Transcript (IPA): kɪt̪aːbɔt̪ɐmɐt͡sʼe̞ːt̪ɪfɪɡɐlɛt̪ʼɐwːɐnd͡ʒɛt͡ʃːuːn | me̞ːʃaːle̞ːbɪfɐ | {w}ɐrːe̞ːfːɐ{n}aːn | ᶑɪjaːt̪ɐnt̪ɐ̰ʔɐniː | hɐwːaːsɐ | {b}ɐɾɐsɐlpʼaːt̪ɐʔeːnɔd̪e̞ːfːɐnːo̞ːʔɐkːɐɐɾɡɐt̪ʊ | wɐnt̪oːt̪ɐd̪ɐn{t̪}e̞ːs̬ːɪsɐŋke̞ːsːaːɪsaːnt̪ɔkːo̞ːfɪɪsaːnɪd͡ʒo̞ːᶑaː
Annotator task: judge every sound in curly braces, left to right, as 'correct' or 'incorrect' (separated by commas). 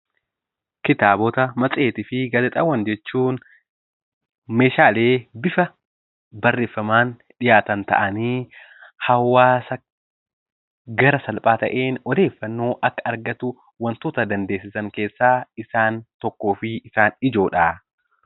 incorrect, incorrect, incorrect, incorrect